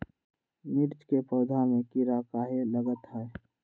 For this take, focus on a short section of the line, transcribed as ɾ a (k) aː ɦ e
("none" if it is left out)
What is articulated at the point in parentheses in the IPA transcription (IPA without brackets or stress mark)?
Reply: k